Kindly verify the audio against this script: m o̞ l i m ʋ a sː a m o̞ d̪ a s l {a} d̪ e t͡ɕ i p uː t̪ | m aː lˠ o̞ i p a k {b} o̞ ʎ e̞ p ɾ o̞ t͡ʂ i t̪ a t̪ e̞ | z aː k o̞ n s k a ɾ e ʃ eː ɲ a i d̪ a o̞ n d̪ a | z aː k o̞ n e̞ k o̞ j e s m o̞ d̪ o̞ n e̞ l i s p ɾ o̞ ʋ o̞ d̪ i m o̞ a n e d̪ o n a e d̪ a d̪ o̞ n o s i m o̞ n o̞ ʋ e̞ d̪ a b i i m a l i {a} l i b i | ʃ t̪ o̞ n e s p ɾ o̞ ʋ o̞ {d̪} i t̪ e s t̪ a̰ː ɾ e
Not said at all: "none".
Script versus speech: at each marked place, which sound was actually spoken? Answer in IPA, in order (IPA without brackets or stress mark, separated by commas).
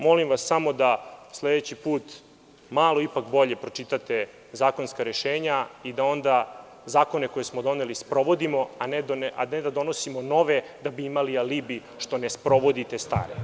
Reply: e, b, a, d̪